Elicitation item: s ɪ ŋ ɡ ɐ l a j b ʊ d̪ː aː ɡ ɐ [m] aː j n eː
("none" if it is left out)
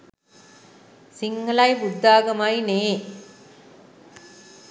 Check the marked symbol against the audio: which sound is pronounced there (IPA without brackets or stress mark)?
m